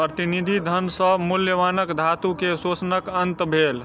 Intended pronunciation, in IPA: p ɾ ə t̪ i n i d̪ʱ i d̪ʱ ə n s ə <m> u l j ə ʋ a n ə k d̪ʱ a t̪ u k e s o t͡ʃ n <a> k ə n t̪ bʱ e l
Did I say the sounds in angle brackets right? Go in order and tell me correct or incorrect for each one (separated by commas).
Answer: correct, incorrect